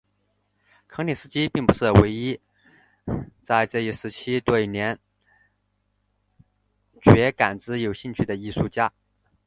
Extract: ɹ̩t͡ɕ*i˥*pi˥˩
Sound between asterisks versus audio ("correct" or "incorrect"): correct